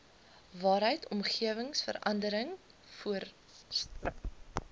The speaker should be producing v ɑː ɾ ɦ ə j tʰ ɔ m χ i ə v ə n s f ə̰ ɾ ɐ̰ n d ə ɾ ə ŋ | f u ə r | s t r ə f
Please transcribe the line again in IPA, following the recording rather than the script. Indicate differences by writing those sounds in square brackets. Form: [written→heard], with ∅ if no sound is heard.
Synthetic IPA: v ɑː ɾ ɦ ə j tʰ ɔ m χ i ə v ə [n→ŋ] s f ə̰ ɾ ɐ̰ n d ə ɾ ə ŋ | f u ə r | s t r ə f